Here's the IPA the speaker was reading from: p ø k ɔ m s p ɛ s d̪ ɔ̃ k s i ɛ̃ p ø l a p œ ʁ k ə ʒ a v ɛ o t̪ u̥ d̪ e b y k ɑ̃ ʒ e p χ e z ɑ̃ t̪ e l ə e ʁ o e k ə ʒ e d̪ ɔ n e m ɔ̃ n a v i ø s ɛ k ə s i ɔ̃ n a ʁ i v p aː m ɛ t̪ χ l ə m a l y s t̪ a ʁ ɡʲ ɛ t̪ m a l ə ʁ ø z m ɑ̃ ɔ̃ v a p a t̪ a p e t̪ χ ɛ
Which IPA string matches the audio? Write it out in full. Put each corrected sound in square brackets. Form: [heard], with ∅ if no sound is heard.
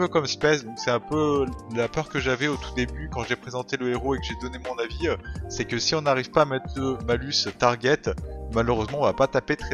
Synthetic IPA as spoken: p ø k ɔ m s p ɛ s d̪ ɔ̃ k s [ɛ] ɛ̃ p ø l a p œ ʁ k ə ʒ a v ɛ o t̪ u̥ d̪ e b y k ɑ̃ ʒ e p χ e z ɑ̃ t̪ e l ə e ʁ o e k ə ʒ e d̪ ɔ n e m ɔ̃ n a v i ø s ɛ k ə s i ɔ̃ n a ʁ i v p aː m ɛ t̪ χ l ə m a l y s t̪ a ʁ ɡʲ ɛ t̪ m a l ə ʁ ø z m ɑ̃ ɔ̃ v a p a t̪ a p e t̪ χ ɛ